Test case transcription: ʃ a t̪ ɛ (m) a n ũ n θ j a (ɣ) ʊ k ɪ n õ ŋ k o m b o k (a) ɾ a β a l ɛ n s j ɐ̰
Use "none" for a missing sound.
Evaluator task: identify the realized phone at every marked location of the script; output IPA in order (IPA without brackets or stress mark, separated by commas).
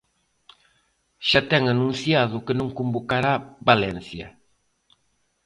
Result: ŋ, ð, a